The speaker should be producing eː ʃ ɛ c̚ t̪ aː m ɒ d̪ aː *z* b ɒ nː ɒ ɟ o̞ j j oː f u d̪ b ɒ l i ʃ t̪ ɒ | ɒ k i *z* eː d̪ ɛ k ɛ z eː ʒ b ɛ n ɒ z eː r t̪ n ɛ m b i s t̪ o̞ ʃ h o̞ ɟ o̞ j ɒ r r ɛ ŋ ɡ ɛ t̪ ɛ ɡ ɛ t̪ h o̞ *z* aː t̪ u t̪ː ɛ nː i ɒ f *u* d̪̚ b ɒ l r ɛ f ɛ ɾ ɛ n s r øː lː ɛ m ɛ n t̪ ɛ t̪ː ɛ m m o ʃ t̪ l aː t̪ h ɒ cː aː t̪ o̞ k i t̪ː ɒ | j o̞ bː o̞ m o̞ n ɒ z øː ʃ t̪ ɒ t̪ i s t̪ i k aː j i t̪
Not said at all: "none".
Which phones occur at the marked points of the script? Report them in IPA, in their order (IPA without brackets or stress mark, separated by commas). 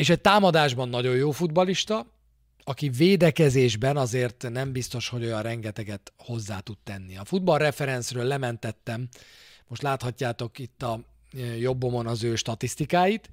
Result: ʒ, v, zː, u